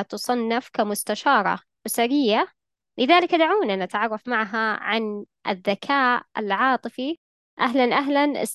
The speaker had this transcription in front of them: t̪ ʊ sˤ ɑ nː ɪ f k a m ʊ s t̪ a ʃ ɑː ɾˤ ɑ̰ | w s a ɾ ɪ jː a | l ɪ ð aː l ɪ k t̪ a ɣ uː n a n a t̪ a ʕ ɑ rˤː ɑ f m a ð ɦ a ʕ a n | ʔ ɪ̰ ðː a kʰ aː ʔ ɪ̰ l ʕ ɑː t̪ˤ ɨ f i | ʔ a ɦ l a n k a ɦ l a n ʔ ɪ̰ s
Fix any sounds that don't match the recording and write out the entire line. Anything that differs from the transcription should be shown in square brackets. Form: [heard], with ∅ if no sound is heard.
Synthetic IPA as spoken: t̪ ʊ sˤ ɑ nː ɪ f k a m ʊ s t̪ a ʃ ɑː ɾˤ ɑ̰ | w s a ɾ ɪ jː a | l ɪ ð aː l ɪ k [d̪] a [ʕ] uː n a n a t̪ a ʕ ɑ rˤː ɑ f m a [ʕ] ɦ a ʕ a n | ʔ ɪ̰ ðː a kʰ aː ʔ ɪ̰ l ʕ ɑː t̪ˤ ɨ f i | ʔ a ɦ l a n [ʔ] a ɦ l a n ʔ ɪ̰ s